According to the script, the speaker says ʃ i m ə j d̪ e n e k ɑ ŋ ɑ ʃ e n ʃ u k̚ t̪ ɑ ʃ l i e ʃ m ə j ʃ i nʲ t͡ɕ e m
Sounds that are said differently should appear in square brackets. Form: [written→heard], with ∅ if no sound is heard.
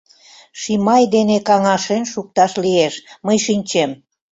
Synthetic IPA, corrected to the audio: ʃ i m [ə→ɑ] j d̪ e n e k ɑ ŋ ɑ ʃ e n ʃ u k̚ t̪ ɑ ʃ l i e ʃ m ə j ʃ i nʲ t͡ɕ e m